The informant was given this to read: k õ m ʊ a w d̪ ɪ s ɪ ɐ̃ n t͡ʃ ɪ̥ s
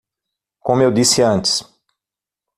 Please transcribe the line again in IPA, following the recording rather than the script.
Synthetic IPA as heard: k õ m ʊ e w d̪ i s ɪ ɐ̃ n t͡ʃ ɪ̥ s